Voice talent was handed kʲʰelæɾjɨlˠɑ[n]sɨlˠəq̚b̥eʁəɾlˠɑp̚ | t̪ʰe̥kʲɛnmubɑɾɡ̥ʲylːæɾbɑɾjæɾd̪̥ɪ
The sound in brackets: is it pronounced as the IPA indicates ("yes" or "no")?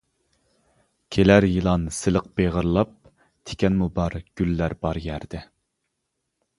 yes